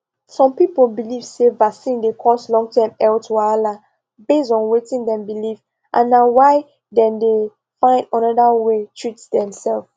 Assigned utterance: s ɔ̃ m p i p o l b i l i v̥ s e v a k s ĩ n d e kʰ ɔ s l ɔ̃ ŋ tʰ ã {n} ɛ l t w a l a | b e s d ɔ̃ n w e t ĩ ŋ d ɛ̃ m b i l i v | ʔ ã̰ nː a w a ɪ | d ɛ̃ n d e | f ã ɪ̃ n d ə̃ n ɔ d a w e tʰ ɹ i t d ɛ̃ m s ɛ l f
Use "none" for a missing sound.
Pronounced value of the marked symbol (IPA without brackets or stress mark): m